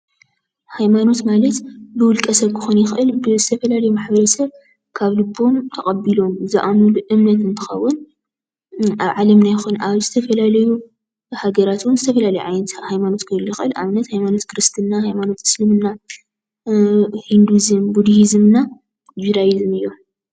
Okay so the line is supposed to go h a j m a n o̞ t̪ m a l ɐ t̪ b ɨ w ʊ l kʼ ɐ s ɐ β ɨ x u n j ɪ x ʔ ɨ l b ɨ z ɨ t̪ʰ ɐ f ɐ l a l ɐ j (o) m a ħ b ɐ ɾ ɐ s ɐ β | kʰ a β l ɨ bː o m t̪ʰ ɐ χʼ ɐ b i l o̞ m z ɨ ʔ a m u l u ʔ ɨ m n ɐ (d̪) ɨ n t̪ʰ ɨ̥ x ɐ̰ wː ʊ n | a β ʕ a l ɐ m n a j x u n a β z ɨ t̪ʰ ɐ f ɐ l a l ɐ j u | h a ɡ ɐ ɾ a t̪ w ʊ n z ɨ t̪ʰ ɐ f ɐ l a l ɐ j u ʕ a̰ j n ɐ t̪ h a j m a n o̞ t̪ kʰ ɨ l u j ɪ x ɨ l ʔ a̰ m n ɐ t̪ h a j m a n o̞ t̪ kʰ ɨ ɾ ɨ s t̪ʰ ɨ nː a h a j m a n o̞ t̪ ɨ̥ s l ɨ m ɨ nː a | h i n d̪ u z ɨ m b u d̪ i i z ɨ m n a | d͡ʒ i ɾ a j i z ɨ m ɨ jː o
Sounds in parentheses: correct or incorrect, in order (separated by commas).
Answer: incorrect, incorrect